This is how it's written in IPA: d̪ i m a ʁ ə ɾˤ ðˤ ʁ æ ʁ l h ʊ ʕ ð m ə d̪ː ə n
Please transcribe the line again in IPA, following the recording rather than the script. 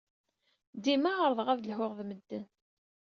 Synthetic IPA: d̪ i m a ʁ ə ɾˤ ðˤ ʁ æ ð l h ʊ ʁ ð m ə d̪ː ə n